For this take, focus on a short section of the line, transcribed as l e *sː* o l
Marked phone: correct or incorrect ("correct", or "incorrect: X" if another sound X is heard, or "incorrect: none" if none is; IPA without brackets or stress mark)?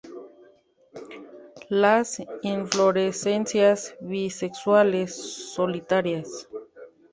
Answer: correct